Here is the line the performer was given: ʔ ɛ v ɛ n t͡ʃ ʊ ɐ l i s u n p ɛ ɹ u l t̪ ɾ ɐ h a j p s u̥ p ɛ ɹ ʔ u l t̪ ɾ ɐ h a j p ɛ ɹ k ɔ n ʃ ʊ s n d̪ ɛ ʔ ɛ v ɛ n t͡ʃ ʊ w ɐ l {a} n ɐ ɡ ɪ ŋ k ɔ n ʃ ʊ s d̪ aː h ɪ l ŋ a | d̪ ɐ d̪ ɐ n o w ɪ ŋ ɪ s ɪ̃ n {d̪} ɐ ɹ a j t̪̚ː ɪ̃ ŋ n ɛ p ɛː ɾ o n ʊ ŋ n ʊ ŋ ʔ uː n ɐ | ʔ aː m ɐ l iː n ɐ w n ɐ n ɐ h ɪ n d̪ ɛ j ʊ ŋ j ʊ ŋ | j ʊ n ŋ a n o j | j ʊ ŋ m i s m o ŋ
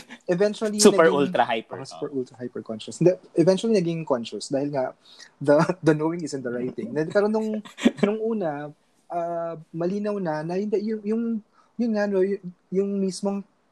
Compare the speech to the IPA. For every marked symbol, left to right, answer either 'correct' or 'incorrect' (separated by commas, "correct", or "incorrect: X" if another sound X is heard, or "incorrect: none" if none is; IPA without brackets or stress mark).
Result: incorrect: i, correct